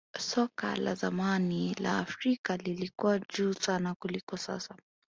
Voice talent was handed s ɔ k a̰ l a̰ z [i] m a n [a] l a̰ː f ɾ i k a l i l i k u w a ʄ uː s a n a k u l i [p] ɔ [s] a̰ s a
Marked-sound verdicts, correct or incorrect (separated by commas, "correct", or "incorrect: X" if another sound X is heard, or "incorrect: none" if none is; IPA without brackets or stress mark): incorrect: a, incorrect: i, incorrect: k, correct